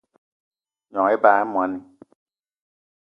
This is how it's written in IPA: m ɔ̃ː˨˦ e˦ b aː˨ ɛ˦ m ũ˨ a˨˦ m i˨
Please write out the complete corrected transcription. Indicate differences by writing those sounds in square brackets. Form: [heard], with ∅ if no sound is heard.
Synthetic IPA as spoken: [ɲ] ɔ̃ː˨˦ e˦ b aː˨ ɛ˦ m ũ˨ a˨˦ [n] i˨